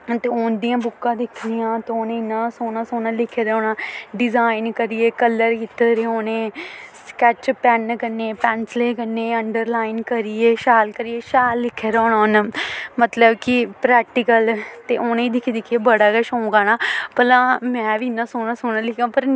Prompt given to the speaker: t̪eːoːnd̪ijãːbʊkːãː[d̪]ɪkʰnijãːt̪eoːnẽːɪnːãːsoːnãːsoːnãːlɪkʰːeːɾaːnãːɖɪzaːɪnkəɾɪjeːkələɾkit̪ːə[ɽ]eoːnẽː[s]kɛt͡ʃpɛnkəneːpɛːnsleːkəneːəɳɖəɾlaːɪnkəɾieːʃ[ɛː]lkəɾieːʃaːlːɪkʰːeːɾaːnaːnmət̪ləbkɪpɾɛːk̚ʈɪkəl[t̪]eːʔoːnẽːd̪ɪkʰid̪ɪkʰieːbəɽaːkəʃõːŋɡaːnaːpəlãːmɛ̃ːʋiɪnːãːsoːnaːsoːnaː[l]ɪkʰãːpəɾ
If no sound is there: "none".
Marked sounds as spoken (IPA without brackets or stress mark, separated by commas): d̪, ɾ, s, aː, t̪, l